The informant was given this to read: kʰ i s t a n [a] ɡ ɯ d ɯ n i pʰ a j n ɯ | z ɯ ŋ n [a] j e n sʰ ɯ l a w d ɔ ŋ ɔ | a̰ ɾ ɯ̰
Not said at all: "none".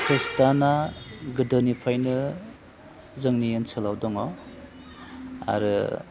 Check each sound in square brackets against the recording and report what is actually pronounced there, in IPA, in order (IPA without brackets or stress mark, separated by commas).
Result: a, i